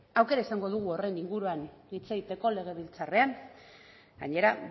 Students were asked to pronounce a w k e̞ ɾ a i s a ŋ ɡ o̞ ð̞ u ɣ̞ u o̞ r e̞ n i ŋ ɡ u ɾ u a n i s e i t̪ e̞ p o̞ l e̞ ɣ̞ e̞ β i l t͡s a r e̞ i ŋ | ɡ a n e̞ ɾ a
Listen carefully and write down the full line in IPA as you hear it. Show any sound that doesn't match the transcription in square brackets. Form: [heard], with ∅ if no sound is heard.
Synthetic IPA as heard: a w k e̞ ɾ a i s a ŋ ɡ o̞ ð̞ u ɣ̞ u o̞ r e̞ n i ŋ ɡ u ɾ u a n i [t͡s] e i t̪ e̞ [k] o̞ l e̞ ɣ̞ e̞ β i l t͡s a r e̞ [a] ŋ | ɡ a [ɲ] e̞ ɾ a